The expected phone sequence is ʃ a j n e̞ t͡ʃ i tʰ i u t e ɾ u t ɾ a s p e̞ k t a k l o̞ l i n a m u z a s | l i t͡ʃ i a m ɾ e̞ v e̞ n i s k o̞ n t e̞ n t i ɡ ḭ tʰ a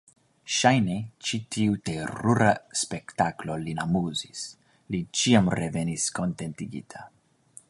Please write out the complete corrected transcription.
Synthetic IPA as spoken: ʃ a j n e̞ t͡ʃ i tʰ i u t e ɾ u ɾ a s p e̞ k t a k l o̞ l i n a m u z i s | l i t͡ʃ i a m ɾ e̞ v e̞ n i s k o̞ n t e̞ n t i ɡ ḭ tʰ a